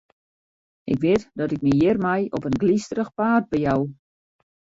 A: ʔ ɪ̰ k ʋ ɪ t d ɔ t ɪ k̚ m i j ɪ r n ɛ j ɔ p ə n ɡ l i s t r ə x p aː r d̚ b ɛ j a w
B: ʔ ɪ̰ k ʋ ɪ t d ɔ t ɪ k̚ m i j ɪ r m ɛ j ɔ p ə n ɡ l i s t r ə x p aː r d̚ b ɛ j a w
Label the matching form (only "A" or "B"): B